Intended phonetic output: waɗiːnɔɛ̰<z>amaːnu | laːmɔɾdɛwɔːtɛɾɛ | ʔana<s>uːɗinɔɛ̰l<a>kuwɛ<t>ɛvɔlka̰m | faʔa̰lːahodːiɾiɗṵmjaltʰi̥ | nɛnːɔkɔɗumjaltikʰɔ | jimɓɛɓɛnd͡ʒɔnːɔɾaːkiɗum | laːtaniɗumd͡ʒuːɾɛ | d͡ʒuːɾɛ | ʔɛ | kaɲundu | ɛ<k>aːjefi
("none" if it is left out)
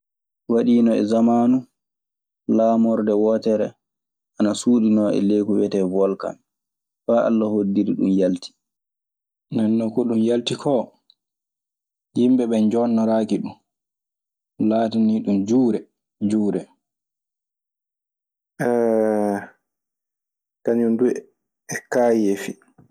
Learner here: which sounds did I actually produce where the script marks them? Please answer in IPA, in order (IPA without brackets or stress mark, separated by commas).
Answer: z, s, e, t, k